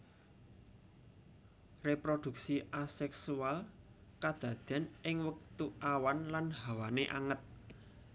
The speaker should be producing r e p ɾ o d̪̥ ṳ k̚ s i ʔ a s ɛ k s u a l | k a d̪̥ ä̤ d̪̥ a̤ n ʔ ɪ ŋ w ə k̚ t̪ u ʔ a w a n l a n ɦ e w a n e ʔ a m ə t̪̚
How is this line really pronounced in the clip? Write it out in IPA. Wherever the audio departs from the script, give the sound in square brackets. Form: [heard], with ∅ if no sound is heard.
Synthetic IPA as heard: r e p ɾ o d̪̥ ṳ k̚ s i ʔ a s ɛ k s u a l | k a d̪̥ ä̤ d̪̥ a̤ n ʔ ɪ ŋ w ə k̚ t̪ u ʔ a w a n l a n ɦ [a] w a n e ʔ a [ŋ] ə t̪̚